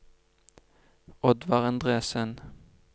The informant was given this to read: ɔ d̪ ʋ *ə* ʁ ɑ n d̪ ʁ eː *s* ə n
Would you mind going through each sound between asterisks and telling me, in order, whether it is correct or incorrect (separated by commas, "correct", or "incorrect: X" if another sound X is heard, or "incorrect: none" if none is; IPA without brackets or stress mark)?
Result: incorrect: ɑ, correct